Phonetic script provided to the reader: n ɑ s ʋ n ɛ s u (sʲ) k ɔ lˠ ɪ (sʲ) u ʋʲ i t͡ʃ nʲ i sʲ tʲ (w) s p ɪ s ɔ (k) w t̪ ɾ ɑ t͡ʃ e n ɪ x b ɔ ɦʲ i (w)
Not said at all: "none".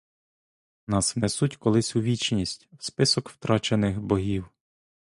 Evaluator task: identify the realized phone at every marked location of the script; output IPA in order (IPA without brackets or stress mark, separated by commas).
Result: tʲ, sʲ, w, k, w